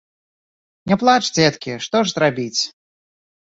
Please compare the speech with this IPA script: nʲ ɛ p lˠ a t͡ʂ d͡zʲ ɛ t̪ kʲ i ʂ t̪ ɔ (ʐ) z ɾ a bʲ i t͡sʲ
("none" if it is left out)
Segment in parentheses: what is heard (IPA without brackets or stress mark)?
ʐ